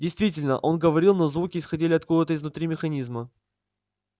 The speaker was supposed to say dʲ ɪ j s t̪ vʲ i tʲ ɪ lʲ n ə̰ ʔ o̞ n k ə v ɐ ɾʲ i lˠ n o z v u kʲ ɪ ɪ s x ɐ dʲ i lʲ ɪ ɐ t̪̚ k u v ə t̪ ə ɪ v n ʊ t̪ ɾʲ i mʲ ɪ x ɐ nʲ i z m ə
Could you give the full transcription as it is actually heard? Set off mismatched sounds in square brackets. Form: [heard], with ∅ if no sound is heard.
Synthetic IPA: dʲ ɪ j s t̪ vʲ i tʲ ɪ lʲ n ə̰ ʔ o̞ n [ɡ] ə v ɐ ɾʲ i lˠ n o z v u kʲ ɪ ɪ s x ɐ dʲ i lʲ ɪ ɐ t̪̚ k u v ə t̪ ə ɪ [z] n ʊ t̪ ɾʲ i mʲ ɪ x ɐ nʲ i z m ə